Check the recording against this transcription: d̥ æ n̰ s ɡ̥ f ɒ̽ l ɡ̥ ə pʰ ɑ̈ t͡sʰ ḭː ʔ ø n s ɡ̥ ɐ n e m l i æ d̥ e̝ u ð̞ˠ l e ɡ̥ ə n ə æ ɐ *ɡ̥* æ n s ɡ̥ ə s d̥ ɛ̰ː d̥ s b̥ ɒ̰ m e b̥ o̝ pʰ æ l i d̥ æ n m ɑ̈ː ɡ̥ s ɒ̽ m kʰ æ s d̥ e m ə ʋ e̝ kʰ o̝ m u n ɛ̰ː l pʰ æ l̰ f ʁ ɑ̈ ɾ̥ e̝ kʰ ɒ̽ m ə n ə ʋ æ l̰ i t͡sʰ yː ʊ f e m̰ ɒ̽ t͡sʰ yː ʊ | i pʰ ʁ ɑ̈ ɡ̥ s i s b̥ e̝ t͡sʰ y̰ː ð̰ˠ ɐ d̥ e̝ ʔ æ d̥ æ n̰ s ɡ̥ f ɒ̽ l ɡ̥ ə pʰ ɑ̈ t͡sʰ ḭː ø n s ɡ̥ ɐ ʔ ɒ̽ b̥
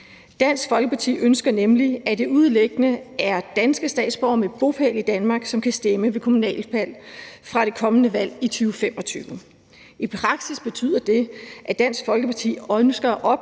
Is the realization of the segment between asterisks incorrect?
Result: yes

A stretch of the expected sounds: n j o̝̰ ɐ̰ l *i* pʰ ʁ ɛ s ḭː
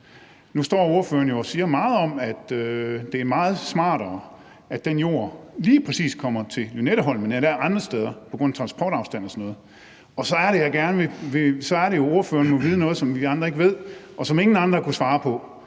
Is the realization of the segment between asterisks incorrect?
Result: yes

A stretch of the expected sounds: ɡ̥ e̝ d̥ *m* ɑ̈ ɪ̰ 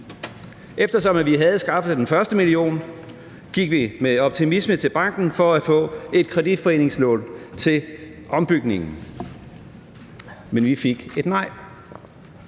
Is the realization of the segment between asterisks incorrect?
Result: yes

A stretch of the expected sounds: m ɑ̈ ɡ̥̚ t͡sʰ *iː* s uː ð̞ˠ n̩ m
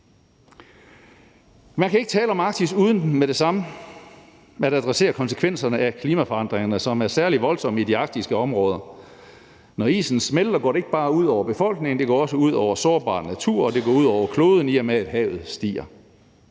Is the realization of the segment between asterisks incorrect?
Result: yes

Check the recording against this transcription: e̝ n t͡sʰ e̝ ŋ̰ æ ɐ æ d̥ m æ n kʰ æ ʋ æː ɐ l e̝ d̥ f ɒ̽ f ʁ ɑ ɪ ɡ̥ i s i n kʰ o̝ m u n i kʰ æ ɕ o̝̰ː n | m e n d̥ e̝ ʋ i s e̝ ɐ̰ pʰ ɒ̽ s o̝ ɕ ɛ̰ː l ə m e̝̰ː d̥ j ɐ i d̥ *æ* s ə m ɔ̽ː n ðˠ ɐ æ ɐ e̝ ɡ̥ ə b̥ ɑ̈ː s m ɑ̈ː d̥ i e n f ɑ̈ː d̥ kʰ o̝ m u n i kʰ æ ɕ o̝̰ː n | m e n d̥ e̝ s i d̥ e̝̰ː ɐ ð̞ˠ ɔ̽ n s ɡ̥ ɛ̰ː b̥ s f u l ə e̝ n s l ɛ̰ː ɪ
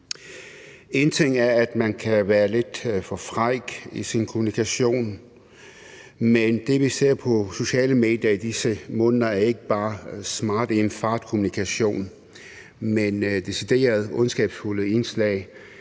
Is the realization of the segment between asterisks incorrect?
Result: yes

